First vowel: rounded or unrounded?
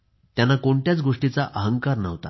unrounded